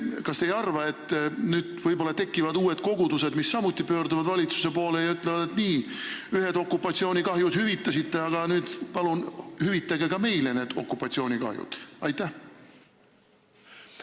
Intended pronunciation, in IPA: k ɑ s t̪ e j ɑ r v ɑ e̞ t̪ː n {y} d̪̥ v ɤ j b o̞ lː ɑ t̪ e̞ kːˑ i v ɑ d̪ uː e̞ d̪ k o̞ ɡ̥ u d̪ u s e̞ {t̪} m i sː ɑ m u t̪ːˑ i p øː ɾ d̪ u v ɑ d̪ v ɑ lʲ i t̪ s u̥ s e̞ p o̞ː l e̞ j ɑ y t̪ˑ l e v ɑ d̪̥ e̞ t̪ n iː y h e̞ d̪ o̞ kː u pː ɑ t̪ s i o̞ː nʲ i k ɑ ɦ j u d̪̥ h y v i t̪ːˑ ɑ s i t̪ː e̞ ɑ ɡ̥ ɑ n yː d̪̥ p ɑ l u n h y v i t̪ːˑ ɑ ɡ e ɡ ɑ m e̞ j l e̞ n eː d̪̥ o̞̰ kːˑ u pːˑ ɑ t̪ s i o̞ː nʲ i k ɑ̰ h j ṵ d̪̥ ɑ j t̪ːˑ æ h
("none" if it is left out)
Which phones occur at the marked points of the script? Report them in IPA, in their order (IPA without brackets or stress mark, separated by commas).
yː, d̪